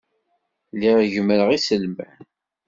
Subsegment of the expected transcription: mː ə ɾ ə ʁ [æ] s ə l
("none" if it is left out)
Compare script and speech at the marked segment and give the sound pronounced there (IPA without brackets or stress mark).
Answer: i